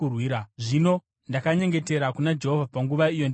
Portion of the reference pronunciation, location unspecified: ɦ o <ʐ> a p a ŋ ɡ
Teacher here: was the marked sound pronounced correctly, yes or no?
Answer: no